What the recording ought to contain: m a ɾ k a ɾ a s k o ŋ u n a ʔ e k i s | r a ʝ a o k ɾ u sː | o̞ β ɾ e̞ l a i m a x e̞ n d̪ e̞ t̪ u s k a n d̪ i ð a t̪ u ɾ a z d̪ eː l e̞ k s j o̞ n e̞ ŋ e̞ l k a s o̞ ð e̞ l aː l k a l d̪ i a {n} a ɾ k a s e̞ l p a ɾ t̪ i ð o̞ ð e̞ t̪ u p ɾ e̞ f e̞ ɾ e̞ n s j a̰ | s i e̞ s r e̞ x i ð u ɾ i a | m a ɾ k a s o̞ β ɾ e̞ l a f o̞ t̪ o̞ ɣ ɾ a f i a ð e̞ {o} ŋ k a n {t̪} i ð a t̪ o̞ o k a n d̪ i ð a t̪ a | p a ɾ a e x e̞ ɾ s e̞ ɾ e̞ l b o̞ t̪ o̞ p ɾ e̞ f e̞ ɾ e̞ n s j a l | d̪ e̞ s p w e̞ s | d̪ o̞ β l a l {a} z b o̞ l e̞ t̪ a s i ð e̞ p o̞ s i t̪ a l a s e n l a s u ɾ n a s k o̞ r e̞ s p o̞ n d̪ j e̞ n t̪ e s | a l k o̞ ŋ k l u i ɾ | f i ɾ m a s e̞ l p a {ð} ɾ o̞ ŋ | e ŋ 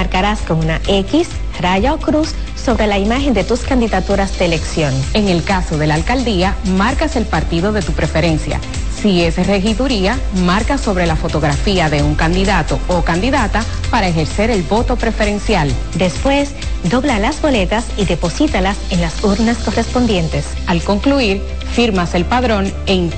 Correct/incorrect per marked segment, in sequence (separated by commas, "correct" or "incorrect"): incorrect, incorrect, incorrect, correct, correct